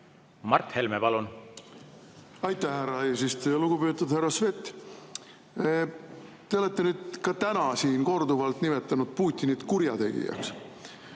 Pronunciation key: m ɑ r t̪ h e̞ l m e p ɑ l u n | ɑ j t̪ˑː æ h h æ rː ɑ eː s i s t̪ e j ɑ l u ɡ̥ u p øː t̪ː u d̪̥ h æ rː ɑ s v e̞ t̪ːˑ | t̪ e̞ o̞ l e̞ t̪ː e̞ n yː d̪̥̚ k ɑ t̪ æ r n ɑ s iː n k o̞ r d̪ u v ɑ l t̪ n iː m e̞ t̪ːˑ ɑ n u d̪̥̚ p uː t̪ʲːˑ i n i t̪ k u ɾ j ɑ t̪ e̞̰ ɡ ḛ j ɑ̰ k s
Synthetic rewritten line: m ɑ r t̪ h e̞ l m e p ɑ l u n | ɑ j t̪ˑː æ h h æ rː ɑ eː s i s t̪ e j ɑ l u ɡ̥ u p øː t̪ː u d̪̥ h æ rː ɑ s v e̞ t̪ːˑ | t̪ e̞ o̞ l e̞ t̪ː e̞ n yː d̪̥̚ k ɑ t̪ æ n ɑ s iː n k o̞ r d̪ u v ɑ l t̪ n i m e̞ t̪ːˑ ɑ n u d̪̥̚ p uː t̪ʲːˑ i n i t̪ k u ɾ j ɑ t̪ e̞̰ ɡ ḭ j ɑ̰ k s

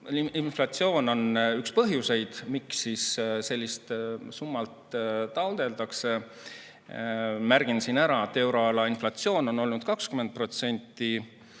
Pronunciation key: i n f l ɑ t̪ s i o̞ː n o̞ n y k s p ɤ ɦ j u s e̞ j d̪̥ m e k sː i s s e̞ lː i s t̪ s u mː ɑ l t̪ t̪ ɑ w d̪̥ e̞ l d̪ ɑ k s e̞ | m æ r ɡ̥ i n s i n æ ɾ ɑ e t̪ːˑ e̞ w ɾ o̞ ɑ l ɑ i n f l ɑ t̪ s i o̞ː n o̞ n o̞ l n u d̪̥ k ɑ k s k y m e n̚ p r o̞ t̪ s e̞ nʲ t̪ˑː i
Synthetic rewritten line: i n f l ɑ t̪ s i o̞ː n o̞ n y k s p ɤ ɦ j u s e̞ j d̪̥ m i k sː i s s e̞ lː i s t̪ s u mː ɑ l t̪ t̪ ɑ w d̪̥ e̞ l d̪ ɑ k s e̞ | m æ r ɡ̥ i n s i n æ ɾ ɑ e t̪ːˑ e̞ w ɾ o̞ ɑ l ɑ i n f l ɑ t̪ s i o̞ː n o̞ n o̞ l n u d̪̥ k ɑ k s k y m e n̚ p r o̞ t̪ s e̞ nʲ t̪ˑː i

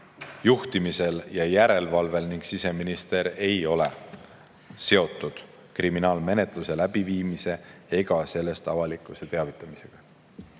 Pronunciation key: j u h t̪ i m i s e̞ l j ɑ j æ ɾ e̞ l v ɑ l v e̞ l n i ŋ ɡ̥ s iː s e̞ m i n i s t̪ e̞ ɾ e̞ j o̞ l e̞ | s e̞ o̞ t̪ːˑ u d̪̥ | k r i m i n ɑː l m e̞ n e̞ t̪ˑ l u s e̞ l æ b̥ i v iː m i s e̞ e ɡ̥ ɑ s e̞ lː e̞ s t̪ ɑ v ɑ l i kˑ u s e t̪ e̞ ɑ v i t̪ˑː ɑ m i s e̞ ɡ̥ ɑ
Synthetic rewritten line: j u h t̪ i m i s e̞ l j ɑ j æ ɾ e̞ l v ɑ l v e̞ l n i ŋ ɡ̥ s i s e̞ m i n i s t̪ e̞ ɾ e̞ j o̞ l e̞ | s e̞ o̞ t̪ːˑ u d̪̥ | k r i m i n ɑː l m e̞ n e̞ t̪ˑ l u s e̞ l æ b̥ i v iː m i s e̞ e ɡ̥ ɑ s e̞ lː e̞ s t̪ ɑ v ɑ l i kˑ u s e t̪ e̞ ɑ v i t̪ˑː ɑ m i s e̞ ɡ̥ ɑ

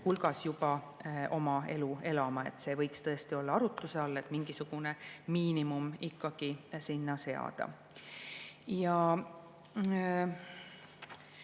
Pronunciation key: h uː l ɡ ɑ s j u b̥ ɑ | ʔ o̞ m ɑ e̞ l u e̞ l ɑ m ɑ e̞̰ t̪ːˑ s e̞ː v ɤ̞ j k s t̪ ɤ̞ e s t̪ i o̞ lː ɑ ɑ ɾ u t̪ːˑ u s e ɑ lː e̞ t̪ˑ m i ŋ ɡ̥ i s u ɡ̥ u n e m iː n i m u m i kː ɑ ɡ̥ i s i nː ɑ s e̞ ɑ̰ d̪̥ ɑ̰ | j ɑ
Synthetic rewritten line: h u l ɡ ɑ s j u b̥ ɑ | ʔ o̞ m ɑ e̞ l u e̞ l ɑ m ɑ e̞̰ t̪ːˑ s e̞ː v ɤ̞ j k s t̪ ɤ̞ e s t̪ i o̞ lː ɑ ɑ ɾ u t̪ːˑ u s e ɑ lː e̞ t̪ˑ m i ŋ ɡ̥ i s u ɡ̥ u n e m iː n i m u m i kː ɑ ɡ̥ i s i nː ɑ s e̞ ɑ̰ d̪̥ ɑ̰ | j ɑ

